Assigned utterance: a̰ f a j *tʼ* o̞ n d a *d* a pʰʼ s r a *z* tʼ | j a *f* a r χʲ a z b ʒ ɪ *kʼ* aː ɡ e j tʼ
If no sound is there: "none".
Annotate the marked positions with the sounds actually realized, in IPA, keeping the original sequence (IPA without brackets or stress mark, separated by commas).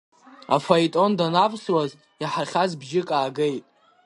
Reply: tʼ, n, z, ħ, kʼ